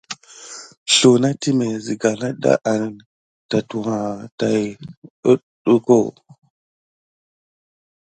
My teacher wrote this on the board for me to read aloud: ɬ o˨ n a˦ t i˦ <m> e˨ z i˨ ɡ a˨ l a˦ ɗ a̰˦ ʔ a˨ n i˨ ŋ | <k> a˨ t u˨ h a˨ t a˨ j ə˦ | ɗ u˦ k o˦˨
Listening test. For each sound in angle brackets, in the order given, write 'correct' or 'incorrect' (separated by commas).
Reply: correct, incorrect